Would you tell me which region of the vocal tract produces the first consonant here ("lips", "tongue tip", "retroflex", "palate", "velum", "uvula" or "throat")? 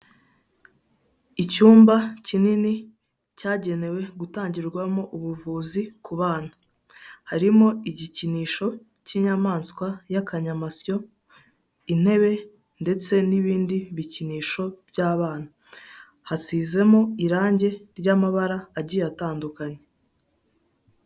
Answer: palate